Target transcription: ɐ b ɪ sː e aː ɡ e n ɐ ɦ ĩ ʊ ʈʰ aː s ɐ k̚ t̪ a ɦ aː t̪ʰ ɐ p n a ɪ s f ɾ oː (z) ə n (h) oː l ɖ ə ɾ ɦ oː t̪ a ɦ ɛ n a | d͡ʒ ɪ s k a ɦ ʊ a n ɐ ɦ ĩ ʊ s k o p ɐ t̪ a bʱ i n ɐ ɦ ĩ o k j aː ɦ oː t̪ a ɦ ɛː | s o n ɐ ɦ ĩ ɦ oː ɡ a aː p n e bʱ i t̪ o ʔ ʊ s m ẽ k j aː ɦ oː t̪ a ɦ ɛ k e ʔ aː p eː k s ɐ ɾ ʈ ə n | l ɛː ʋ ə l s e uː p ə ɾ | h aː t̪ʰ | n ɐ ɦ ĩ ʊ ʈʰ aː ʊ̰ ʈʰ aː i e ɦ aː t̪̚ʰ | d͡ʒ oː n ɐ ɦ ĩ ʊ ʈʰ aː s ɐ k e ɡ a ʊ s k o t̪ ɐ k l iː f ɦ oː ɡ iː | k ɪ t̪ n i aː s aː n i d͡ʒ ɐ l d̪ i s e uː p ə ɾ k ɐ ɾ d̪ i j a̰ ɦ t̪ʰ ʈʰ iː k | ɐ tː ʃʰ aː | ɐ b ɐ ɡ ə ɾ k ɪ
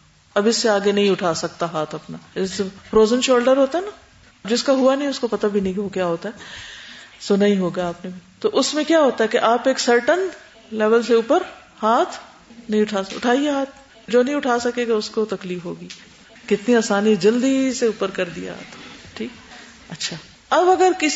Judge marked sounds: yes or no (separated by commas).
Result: yes, no